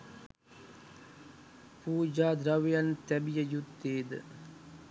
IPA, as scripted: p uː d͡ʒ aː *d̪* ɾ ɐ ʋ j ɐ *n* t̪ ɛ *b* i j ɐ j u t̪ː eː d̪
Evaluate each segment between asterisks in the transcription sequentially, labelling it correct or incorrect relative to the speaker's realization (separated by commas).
correct, correct, correct